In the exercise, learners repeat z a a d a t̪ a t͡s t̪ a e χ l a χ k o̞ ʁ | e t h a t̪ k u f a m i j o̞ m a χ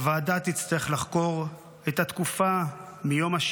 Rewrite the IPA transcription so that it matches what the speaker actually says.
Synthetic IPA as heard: v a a d a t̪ i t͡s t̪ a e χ l a χ k o̞ ʁ | e t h a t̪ k u f a m i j o̞ m a ʃ